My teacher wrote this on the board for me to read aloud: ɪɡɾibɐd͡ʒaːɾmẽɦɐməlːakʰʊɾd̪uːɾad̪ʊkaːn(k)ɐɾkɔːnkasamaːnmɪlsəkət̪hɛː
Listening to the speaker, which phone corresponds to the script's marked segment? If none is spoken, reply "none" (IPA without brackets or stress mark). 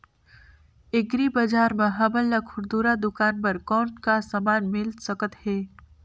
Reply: p